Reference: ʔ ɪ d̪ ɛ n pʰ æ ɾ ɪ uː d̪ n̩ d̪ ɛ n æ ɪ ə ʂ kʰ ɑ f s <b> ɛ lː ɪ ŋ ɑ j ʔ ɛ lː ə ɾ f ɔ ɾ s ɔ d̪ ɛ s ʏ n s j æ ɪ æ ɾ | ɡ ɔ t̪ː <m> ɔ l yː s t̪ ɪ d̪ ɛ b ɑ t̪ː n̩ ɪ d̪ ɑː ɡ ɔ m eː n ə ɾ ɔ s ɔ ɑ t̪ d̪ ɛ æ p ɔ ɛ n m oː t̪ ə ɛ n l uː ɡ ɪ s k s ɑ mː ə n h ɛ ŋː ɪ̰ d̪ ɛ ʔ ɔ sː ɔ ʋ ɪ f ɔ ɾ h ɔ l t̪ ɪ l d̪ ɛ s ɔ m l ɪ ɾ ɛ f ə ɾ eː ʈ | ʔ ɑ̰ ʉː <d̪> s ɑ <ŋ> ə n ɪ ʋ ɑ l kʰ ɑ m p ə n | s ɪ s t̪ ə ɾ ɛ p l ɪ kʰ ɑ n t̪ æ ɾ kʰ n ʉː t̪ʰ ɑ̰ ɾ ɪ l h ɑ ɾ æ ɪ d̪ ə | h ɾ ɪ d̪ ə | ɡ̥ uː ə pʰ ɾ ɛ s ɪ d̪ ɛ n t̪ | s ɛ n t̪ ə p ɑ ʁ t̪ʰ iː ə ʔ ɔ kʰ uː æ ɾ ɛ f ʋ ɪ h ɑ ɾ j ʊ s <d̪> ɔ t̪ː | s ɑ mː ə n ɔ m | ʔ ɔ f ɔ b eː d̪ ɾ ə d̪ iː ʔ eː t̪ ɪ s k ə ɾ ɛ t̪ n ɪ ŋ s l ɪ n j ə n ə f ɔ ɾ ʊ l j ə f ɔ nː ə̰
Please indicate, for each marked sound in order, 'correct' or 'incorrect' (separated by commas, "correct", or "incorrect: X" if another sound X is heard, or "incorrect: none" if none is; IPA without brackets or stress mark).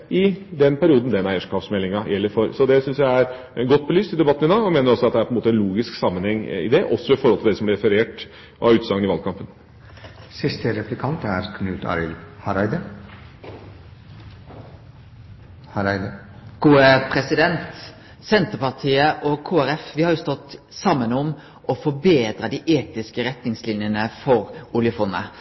incorrect: m, incorrect: b, incorrect: t̪, correct, incorrect: t̪